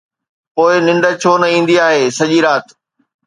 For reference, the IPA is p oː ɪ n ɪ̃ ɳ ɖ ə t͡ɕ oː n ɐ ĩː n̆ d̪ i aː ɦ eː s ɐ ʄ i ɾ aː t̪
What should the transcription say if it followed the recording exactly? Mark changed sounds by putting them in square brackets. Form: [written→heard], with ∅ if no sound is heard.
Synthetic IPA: p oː ɪ n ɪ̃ ɳ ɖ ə [t͡ɕ→t͡ɕʰ] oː n ɐ ĩː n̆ d̪ i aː ɦ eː s ɐ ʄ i ɾ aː t̪

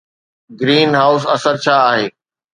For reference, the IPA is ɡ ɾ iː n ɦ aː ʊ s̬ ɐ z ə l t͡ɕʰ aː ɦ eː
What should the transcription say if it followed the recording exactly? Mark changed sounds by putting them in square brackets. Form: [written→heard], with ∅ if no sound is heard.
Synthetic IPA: ɡ ɾ iː n ɦ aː ʊ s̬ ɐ [z→s] ə [l→ɾ] t͡ɕʰ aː ɦ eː

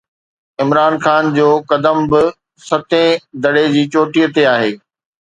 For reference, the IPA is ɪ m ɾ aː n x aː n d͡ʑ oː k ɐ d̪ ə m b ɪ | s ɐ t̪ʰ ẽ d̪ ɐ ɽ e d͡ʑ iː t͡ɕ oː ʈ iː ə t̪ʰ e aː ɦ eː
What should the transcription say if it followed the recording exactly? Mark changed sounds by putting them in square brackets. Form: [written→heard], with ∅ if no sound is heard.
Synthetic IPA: ɪ m ɾ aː n x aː n d͡ʑ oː k ɐ d̪ ə m b ɪ | s ɐ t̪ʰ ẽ d̪ ɐ ɽ e d͡ʑ iː t͡ɕ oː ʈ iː ə [t̪ʰ→t̪] e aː ɦ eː

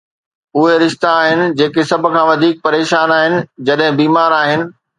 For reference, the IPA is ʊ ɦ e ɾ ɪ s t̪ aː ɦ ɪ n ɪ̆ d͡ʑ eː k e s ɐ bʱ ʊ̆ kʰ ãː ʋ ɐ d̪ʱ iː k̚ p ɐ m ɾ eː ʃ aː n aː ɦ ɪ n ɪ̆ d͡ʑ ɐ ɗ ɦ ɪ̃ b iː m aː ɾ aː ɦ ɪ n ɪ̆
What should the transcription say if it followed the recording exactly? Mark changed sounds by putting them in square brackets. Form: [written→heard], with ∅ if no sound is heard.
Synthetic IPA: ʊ ɦ e ɾ ɪ [s→ʃ] t̪ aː ɦ ɪ n ɪ̆ d͡ʑ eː k e s ɐ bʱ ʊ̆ kʰ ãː ʋ ɐ d̪ʱ iː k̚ p ɐ [m→∅] ɾ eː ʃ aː n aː ɦ ɪ n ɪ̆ d͡ʑ ɐ ɗ ɦ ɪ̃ b iː m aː ɾ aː ɦ ɪ n ɪ̆

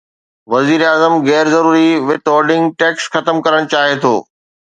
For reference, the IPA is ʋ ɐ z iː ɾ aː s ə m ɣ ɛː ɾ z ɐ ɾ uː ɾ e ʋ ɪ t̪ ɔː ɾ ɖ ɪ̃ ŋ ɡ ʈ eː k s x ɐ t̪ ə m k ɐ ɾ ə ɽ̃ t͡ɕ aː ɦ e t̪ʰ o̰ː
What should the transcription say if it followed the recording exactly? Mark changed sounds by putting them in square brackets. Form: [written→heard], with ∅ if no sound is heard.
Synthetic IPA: ʋ ɐ z iː ɾ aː [s→z] ə m ɣ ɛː ɾ z ɐ ɾ uː ɾ [e→i] ʋ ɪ t̪ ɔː ɾ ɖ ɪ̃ ŋ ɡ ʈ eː k s x ɐ t̪ ə m k ɐ ɾ ə ɽ̃ t͡ɕ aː ɦ e t̪ʰ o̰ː

